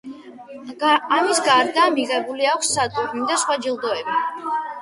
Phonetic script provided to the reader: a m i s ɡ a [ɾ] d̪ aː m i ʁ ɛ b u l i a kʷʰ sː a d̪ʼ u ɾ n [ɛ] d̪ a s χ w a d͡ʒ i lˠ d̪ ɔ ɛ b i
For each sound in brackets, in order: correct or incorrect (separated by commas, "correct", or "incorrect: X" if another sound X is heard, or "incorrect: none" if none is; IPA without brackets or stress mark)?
correct, incorrect: i